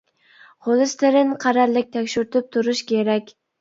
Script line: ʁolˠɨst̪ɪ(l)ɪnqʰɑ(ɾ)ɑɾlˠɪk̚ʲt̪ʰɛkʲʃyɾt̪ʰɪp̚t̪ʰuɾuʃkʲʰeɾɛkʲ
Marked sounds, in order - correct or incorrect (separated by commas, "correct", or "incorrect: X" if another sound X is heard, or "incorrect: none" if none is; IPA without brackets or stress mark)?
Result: incorrect: ɾ, correct